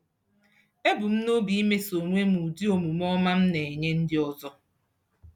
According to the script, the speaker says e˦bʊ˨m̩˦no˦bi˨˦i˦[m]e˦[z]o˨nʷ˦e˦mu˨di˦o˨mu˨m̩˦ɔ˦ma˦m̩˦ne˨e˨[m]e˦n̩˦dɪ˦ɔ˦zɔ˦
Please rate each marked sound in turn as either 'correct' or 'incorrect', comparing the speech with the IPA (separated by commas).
correct, incorrect, incorrect